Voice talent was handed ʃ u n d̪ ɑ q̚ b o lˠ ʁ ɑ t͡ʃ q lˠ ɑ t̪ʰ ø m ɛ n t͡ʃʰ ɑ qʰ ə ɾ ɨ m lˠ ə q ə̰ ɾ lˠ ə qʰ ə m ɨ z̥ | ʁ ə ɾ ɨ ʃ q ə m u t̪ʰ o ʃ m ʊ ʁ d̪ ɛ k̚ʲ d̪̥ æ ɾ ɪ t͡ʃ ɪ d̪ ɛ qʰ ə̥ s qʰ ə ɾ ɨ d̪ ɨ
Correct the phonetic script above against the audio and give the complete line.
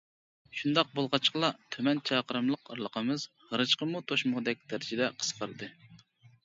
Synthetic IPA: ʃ u n d̪ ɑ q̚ b o lˠ ʁ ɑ t͡ʃ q lˠ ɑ t̪ʰ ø m ɛ n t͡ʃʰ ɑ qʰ ə ɾ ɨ m lˠ ə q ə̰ ɾ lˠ ə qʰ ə m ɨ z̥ | ʁ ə ɾ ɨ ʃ q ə m u t̪ʰ o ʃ m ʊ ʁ d̪ ɛ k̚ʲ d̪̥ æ ɾ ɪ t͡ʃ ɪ d̪ ɛ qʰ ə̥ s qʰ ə ɾ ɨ d̪ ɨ